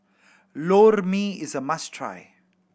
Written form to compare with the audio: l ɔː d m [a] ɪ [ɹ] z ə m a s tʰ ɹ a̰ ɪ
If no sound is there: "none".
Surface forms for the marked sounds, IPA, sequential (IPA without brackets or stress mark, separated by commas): i, none